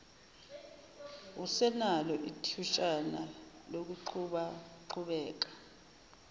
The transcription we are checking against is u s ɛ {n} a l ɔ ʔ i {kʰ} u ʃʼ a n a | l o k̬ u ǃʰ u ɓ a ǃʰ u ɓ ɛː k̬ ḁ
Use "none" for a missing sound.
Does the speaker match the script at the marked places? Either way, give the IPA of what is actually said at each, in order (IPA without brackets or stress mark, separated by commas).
n, tʰ